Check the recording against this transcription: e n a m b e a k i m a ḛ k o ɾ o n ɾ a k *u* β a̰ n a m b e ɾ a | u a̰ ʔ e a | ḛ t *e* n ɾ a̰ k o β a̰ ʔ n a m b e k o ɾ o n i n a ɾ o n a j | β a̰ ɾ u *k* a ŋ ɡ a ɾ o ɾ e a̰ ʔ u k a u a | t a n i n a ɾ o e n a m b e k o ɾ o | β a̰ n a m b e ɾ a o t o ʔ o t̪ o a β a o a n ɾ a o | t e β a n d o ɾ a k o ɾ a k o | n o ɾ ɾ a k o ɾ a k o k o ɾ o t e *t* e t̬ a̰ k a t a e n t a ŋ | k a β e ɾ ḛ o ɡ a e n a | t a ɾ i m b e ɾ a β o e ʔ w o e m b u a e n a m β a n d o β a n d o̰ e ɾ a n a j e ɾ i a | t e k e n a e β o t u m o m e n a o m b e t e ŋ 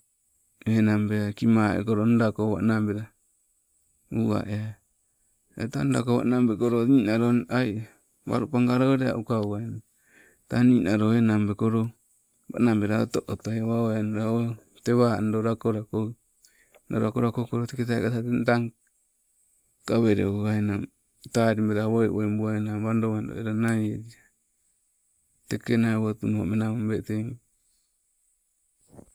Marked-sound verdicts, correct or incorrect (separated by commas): incorrect, incorrect, incorrect, incorrect